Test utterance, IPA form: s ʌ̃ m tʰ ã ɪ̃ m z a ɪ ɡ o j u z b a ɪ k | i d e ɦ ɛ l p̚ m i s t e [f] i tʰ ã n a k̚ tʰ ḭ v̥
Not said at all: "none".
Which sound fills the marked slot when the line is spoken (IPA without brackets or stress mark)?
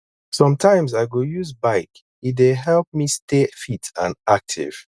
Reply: f